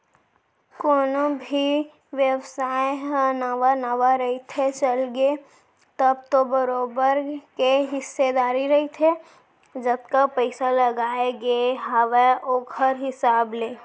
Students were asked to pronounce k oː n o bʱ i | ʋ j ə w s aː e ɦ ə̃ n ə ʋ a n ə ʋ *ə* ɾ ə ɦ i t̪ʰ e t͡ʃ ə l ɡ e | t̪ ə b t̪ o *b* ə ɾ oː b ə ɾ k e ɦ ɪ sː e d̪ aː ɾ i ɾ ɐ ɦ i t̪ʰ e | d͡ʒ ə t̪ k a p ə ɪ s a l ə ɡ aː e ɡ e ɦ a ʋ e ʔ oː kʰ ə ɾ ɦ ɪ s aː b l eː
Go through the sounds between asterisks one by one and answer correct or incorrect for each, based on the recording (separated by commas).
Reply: incorrect, correct